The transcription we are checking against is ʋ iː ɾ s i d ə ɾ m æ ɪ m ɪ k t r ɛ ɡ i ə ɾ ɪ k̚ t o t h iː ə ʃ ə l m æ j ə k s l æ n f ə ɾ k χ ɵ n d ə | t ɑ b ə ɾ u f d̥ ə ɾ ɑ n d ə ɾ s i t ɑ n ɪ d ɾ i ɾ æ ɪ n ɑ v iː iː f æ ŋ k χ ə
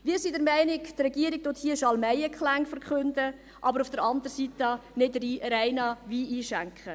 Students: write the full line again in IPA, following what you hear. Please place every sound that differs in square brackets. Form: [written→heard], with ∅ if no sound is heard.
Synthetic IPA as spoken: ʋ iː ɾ s i d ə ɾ m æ ɪ [m→n] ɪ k t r ɛ ɡ i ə ɾ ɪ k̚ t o t h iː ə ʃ [ə→ɑ] l m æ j ə k [s→χ] l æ [n→ŋ] f ə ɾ k χ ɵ n d ə | [t→ʔ] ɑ b ə ɾ u f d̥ ə ɾ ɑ n d ə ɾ s i t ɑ n ɪ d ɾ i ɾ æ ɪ n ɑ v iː iː [f→ʃ] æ ŋ k χ ə